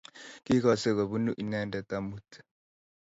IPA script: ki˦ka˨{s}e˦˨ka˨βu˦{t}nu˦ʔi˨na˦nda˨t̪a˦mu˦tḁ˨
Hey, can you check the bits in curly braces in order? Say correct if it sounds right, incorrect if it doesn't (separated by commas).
correct, incorrect